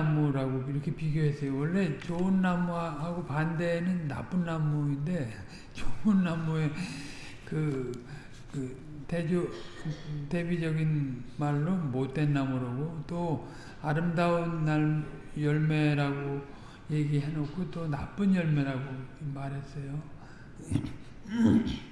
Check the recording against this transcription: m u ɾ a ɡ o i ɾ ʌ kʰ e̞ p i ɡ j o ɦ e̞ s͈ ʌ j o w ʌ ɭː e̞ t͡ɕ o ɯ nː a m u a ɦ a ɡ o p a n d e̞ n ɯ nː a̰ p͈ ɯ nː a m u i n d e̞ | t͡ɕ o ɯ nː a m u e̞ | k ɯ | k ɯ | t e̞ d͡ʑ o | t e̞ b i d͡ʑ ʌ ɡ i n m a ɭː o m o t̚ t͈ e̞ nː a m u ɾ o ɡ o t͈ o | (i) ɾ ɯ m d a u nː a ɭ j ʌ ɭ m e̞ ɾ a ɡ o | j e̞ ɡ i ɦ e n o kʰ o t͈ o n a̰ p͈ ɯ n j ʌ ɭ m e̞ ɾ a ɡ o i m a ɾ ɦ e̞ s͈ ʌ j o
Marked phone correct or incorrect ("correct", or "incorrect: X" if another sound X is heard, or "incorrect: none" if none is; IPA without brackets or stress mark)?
incorrect: a